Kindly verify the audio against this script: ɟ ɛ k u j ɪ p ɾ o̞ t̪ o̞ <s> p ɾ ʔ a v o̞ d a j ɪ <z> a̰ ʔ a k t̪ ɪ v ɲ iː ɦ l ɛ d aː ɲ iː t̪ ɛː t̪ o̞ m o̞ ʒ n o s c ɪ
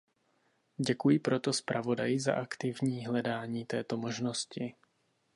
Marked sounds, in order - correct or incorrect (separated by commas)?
correct, correct